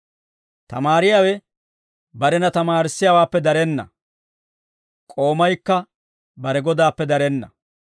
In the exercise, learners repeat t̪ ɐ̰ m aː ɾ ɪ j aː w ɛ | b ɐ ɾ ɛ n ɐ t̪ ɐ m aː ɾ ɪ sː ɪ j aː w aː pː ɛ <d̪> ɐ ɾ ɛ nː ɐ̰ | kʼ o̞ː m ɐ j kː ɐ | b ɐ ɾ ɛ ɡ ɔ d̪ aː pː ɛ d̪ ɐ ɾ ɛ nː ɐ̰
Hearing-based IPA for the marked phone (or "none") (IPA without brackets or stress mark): d̪